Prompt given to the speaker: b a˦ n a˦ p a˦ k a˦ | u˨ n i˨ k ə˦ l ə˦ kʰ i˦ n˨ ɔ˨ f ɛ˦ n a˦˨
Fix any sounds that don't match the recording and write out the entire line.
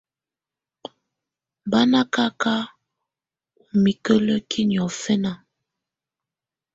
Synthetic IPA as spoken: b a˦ n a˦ k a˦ k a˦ | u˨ m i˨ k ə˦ l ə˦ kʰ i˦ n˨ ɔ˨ f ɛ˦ n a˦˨